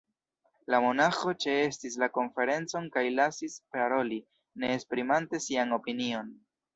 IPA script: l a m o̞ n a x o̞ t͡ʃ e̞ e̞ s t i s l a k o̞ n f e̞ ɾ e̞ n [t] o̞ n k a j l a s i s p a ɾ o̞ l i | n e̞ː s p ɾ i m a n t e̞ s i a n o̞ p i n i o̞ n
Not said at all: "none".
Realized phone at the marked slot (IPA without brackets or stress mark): t͡s